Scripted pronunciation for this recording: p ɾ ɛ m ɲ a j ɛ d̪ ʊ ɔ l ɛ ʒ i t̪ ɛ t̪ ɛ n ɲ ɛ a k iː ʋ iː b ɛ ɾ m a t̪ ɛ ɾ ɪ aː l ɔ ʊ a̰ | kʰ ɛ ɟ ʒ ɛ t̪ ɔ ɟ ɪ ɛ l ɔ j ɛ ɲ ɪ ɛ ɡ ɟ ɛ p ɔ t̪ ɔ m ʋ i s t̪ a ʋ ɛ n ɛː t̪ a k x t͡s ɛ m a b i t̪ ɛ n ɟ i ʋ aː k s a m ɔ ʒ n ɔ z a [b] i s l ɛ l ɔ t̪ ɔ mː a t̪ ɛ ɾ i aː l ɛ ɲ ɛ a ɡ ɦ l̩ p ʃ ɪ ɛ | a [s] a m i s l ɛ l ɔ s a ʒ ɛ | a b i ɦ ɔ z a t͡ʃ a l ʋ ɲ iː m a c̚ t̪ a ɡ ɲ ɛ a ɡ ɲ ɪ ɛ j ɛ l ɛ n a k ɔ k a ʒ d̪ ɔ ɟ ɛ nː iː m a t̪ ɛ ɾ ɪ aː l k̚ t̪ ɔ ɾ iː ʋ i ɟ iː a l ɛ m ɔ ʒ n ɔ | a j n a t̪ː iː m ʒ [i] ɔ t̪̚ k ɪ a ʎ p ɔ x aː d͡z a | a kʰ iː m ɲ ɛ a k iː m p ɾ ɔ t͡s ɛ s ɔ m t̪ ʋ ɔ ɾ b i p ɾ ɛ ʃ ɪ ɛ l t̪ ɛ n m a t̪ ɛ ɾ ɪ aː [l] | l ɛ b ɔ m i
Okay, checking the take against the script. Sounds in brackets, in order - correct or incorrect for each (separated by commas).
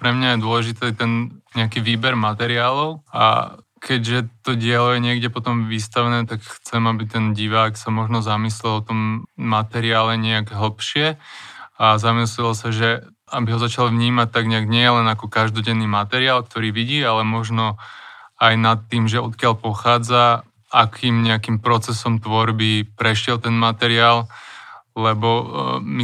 incorrect, incorrect, incorrect, correct